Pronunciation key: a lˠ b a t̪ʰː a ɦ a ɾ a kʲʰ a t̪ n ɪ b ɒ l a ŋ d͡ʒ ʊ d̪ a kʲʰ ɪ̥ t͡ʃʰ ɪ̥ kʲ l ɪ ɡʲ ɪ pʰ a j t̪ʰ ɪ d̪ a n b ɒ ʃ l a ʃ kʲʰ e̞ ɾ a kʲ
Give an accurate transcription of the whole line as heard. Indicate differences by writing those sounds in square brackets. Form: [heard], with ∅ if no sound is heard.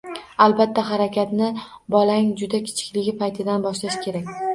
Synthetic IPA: a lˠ b a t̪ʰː a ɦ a ɾ a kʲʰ a t̪ n ɪ b ɒ l a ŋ d͡ʒ ʊ d̪ a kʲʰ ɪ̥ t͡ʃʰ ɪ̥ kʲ l ɪ ɡʲ ɪ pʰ a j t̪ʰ ɪ d̪ a n b ɒ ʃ l a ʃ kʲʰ e̞ ɾ a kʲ